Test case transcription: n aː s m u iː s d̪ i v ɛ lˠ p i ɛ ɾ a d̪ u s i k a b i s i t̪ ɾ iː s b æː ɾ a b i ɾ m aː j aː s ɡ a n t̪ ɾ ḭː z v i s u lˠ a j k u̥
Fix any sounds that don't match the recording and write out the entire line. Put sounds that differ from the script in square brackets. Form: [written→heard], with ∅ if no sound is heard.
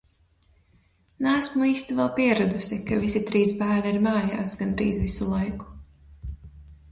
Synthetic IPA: n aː s m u iː s [d̪→t̪] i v ɛ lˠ p i ɛ ɾ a d̪ u s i k a [b→v] i s i t̪ ɾ iː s b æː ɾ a [b→∅] i ɾ m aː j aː s ɡ a n [t̪→d̪] ɾ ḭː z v i s u lˠ a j k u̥

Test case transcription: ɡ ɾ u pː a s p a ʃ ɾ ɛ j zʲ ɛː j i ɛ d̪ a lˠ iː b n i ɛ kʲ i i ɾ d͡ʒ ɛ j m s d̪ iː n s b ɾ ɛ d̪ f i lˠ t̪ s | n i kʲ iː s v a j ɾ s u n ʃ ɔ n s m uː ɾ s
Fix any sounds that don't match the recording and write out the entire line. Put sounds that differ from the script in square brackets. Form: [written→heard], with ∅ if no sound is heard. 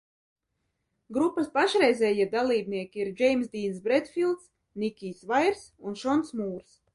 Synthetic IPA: ɡ ɾ u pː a s p a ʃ ɾ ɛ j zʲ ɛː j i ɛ d̪ a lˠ iː b n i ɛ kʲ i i ɾ d͡ʒ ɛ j m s d̪ iː n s b ɾ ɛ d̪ f i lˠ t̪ s | n i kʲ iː s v a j ɾ s u n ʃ ɔ n s m uː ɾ s

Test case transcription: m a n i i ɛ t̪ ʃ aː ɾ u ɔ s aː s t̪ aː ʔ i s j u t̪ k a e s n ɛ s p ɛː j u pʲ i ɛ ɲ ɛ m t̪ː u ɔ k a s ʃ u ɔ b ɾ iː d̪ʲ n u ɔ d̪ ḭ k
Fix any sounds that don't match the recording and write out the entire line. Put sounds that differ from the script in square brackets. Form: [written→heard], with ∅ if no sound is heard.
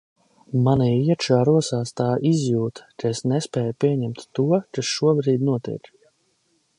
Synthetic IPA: m a n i i ɛ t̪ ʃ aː ɾ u ɔ s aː s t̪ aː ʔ i [s→z] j [u→uː] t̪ k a e s n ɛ s p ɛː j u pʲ i ɛ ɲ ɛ m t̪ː u ɔ k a s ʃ u ɔ b ɾ iː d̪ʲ n u ɔ [d̪→t̪] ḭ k

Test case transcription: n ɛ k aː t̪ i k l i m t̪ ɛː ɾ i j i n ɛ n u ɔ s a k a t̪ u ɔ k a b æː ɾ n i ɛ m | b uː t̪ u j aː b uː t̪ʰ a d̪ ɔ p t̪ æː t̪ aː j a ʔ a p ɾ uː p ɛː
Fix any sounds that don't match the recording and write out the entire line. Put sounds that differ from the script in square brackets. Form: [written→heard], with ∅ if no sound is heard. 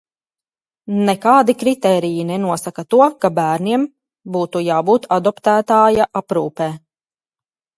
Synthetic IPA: n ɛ k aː [t̪→d̪] i k [l→ɾ] i [m→∅] t̪ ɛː ɾ i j i n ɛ n u ɔ s a k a t̪ u ɔ k a b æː ɾ n i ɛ m | b uː t̪ u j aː b uː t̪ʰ a d̪ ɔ p t̪ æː t̪ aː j a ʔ a p ɾ uː p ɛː

